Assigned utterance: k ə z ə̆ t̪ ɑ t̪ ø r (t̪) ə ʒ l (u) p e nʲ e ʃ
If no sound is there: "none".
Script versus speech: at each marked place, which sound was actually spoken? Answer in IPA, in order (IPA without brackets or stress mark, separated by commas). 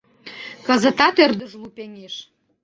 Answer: d̪, u